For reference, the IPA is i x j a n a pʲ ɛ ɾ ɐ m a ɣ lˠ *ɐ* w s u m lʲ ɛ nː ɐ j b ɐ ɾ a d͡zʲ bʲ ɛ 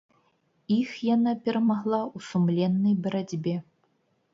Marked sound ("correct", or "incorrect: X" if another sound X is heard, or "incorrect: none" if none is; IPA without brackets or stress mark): incorrect: a